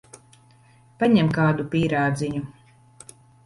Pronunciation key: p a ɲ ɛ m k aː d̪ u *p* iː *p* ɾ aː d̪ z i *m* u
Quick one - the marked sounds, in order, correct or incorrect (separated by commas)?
correct, incorrect, incorrect